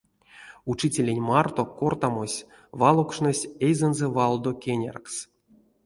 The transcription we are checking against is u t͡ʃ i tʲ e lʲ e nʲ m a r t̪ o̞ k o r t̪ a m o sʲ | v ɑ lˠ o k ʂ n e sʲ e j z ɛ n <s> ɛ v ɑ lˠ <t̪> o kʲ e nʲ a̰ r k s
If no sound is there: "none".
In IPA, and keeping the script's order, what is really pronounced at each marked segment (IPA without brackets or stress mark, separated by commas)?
z, d̪